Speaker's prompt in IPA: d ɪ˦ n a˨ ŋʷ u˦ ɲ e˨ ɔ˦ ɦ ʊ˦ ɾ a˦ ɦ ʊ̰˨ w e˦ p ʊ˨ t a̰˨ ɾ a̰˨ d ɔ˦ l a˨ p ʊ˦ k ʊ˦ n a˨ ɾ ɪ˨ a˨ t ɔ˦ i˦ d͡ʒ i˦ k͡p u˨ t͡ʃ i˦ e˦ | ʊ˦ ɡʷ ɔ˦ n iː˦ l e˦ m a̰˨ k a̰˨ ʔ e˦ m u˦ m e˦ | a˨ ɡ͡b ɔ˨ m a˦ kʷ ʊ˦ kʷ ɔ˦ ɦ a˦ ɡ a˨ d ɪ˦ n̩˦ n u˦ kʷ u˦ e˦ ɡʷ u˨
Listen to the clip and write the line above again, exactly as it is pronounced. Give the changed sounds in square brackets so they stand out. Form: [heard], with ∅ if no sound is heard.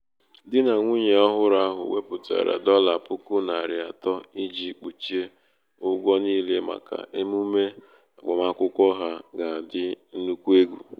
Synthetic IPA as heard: d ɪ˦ n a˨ ŋʷ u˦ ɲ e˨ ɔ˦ ɦ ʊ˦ ɾ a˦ ɦ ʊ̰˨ w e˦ p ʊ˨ t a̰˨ ɾ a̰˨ d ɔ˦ l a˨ p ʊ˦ k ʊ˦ n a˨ ɾ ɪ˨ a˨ t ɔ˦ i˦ d͡ʒ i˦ k͡p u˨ t͡ʃ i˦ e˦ | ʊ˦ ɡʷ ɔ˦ n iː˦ l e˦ m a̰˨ k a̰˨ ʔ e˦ m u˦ m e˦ | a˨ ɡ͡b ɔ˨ m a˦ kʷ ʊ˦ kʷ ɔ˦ ɦ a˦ ɡ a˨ d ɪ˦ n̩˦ n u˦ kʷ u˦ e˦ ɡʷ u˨